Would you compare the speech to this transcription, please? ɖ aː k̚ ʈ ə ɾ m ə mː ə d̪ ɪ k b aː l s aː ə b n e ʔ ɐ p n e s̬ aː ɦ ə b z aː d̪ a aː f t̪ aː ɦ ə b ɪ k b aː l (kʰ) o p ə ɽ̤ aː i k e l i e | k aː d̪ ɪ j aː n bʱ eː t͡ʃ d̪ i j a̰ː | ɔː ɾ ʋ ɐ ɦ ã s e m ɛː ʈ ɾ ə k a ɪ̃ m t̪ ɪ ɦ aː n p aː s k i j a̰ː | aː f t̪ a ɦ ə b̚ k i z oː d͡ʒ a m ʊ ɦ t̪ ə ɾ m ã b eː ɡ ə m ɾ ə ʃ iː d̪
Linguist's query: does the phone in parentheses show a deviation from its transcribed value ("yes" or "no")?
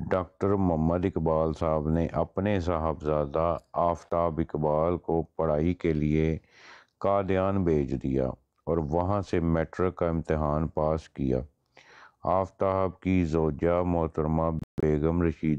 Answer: yes